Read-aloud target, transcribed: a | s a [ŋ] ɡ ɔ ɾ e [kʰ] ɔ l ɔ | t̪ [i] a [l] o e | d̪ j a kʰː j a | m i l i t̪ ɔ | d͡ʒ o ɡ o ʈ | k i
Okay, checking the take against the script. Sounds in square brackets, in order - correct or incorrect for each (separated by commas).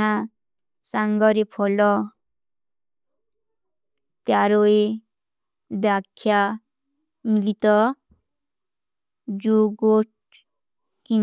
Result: correct, incorrect, incorrect, incorrect